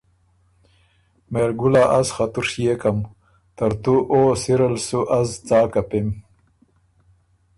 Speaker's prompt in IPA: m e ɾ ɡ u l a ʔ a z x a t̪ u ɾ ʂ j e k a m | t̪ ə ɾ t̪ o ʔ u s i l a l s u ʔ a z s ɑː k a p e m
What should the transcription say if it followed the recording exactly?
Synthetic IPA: m e ɾ ɡ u l a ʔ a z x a t̪ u ɾ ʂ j e k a m | t̪ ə ɾ t̪ u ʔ o s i ɾ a l s u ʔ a z t͡s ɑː k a p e m